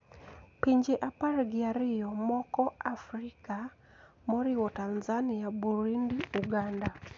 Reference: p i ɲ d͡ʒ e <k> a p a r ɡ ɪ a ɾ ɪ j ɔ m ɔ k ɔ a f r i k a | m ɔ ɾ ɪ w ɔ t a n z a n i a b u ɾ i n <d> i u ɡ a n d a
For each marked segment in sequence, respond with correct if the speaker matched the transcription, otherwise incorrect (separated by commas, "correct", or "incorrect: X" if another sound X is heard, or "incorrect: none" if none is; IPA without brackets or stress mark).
incorrect: ʔ, correct